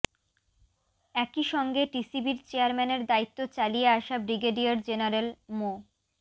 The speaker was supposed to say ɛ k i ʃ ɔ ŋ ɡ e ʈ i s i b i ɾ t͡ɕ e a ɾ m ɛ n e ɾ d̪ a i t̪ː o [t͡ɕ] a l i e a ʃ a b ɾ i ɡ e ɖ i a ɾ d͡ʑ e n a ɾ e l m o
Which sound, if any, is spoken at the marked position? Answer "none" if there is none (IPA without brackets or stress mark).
t͡ɕ